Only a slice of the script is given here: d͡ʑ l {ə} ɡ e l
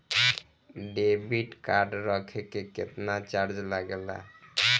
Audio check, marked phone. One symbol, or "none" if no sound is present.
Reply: a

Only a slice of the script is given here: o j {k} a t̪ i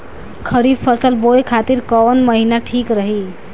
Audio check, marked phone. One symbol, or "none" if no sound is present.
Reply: kʰ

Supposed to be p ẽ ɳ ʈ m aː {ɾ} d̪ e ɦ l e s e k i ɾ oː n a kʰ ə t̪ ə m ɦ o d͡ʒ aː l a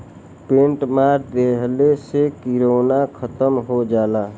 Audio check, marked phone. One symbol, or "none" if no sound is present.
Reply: ɾ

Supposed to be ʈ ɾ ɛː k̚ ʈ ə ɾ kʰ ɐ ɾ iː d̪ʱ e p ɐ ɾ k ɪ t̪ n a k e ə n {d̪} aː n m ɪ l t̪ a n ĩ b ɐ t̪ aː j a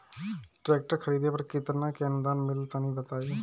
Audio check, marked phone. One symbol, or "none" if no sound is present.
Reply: d̪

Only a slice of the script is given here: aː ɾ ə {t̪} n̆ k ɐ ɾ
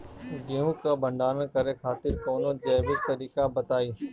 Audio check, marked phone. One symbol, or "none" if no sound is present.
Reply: none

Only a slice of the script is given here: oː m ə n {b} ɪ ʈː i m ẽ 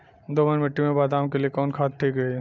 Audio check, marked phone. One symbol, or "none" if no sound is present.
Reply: m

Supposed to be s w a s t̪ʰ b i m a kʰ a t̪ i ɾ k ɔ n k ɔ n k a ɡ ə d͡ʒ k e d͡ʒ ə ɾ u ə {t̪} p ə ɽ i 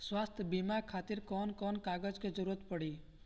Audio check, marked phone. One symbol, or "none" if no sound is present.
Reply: t̪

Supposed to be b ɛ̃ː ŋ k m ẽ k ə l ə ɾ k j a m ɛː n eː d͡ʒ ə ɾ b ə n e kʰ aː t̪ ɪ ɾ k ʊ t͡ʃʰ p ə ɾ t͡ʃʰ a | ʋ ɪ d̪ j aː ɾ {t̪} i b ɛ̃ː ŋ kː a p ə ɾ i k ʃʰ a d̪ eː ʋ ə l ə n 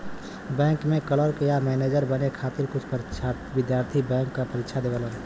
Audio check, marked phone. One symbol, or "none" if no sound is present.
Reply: t̪ʰ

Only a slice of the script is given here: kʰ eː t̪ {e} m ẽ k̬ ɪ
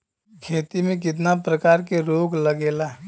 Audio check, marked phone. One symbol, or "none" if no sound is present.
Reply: i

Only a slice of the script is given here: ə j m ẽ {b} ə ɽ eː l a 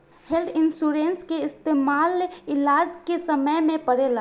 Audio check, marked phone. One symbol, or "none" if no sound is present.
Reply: p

